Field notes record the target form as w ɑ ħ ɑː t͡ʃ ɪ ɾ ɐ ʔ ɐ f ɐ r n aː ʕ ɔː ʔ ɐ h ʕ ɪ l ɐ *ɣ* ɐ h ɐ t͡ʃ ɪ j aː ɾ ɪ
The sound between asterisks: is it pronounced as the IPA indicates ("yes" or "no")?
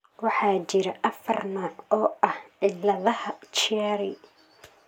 no